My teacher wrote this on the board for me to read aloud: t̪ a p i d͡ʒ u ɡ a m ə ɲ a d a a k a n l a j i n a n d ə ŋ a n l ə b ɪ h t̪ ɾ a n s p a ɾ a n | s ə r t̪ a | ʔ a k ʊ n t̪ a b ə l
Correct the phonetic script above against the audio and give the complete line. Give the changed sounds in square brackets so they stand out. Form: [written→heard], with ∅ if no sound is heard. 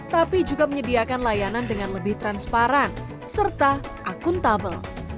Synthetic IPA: t̪ a p i d͡ʒ u ɡ a m ə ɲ [a→ə] d [a→i] a k a n l a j [i→a] n a n d ə ŋ a n l ə b ɪ h t̪ ɾ a n s p a ɾ a n | s ə r t̪ a | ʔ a k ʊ n t̪ a b ə l